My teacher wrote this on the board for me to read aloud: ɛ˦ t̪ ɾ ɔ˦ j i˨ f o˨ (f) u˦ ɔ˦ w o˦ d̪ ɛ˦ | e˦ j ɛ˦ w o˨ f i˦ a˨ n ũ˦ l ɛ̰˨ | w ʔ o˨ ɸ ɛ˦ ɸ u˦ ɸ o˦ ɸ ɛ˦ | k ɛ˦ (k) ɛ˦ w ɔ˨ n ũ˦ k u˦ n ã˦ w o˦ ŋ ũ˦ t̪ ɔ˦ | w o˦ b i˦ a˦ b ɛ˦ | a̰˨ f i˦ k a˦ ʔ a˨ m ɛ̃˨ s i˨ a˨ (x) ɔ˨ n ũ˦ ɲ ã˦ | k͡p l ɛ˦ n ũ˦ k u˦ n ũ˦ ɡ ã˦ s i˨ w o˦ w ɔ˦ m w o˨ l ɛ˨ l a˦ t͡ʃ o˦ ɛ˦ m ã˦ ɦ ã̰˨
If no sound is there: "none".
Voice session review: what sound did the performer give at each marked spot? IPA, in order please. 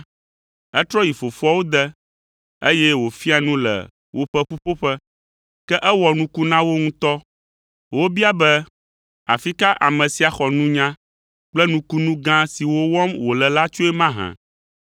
f, ʔ, x

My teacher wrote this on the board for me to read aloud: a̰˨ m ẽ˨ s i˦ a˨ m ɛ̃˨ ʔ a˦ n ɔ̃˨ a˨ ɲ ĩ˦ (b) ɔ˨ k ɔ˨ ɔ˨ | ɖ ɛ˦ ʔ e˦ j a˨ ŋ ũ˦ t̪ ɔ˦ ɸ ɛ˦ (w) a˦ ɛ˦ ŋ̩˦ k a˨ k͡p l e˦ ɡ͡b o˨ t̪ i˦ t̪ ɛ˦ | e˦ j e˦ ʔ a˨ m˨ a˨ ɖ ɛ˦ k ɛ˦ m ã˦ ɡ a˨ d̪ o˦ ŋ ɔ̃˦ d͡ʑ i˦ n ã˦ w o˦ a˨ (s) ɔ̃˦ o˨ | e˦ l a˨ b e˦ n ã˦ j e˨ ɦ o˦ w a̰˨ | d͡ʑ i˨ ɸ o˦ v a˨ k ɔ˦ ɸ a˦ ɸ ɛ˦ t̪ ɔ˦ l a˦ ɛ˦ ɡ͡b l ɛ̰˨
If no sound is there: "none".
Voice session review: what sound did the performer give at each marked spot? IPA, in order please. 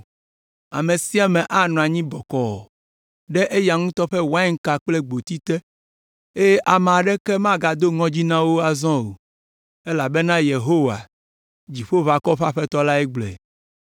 b, w, z

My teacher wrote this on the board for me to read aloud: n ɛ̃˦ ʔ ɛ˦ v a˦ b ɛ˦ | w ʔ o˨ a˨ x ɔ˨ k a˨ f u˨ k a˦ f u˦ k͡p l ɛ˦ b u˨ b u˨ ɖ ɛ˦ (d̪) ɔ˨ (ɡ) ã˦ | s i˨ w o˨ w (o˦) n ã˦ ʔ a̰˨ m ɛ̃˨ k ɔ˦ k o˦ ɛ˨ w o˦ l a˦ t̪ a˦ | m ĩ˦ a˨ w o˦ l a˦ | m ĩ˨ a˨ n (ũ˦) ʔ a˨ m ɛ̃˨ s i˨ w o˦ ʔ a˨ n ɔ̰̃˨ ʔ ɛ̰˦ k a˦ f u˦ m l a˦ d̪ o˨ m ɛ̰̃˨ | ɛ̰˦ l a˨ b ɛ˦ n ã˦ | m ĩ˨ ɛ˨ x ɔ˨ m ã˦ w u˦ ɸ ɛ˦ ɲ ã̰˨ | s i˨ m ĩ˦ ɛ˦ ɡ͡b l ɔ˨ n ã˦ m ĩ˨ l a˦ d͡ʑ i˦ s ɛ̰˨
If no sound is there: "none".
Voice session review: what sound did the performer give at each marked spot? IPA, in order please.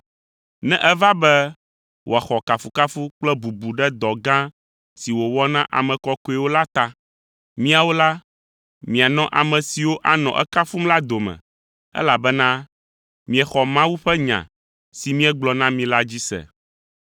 d̪, ɡ, ɔ˦, ɔ̃˦

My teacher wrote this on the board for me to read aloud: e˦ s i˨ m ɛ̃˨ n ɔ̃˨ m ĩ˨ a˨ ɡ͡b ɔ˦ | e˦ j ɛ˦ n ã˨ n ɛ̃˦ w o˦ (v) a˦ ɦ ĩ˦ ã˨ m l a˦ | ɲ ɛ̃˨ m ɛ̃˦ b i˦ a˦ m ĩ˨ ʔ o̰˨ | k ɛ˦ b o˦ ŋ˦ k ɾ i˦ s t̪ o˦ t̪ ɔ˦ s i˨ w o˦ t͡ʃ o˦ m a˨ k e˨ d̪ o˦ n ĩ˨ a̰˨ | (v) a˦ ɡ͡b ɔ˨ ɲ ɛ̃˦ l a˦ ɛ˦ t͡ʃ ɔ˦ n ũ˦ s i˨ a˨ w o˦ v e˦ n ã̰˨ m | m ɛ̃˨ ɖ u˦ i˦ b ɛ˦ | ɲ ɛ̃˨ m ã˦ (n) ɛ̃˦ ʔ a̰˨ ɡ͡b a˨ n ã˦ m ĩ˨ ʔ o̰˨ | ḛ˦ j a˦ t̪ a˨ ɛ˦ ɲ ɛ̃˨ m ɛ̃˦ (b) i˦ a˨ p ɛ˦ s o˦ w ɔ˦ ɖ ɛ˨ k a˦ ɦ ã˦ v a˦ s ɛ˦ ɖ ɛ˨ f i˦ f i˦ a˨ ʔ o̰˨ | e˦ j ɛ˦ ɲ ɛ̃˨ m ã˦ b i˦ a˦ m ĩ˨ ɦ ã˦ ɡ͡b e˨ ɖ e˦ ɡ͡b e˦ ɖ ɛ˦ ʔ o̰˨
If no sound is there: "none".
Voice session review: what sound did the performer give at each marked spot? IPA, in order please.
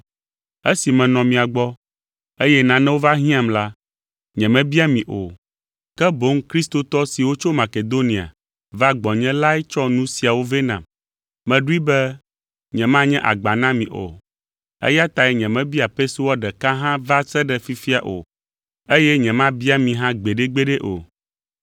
v, v, ɲ, b

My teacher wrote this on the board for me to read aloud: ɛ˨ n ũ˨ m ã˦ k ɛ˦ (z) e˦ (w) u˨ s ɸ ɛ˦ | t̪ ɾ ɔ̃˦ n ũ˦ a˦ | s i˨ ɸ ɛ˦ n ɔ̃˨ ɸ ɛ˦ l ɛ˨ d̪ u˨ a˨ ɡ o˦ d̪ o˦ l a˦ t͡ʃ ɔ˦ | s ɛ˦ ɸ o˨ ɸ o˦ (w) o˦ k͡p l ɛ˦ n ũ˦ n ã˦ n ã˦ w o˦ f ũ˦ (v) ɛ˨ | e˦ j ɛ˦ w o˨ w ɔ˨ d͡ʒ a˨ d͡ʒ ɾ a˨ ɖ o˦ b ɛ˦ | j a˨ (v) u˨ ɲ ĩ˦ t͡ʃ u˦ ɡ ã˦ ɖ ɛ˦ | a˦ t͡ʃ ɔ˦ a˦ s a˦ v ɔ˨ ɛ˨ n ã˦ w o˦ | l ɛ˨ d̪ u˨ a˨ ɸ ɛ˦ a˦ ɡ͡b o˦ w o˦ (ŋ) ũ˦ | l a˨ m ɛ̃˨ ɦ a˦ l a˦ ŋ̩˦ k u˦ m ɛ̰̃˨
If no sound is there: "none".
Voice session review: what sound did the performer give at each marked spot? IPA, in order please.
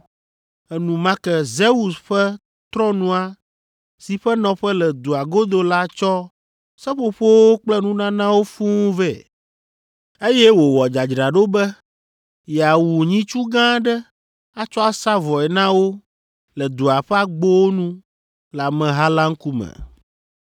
z, w, w, v, w, n

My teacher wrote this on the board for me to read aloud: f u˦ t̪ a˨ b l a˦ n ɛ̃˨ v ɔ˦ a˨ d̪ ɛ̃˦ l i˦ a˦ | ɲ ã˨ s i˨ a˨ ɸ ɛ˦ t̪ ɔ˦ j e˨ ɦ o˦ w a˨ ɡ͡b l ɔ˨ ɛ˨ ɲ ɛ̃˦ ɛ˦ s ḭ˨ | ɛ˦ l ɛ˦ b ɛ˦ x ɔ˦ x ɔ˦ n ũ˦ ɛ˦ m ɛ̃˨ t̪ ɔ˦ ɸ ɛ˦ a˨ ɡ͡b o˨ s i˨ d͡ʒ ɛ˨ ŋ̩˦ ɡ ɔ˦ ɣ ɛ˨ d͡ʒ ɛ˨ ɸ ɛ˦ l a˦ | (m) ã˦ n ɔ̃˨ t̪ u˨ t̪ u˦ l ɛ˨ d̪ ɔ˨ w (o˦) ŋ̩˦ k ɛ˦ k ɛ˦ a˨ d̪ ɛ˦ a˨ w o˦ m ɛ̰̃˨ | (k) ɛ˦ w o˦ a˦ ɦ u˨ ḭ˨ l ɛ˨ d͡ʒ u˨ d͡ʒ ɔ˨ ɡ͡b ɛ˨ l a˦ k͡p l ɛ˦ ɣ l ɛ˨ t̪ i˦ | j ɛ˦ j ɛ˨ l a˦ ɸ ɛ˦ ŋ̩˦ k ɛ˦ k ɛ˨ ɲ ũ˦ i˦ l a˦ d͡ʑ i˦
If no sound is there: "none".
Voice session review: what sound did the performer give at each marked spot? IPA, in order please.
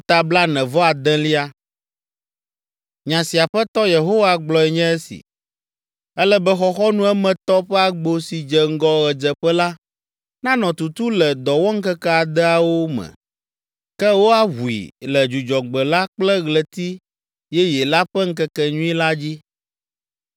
n, ɔ˦, k

